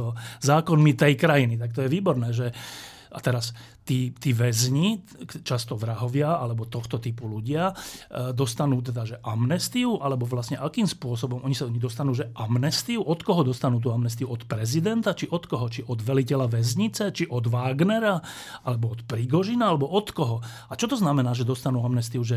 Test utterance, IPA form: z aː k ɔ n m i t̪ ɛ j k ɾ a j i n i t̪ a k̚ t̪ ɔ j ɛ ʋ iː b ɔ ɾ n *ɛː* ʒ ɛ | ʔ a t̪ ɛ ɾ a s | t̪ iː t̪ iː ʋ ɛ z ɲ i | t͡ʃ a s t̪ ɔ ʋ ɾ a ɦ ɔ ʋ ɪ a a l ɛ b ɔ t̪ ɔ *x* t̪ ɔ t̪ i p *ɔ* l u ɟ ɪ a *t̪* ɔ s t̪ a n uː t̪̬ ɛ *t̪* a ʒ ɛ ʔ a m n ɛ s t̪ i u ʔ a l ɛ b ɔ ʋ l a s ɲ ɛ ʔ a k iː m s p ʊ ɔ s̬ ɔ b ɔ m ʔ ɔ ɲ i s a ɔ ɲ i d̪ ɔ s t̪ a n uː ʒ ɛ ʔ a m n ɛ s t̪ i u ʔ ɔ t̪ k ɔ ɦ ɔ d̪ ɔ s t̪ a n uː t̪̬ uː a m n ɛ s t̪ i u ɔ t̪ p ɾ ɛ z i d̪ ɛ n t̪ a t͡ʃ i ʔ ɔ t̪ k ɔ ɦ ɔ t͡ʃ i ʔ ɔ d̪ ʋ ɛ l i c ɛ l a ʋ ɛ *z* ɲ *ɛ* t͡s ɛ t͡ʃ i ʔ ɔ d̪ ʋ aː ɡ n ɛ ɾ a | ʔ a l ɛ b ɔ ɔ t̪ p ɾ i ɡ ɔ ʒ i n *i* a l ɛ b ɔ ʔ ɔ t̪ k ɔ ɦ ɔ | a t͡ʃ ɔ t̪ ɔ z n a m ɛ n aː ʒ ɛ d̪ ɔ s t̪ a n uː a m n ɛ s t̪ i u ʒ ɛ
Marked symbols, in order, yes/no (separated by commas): yes, yes, no, no, no, yes, no, no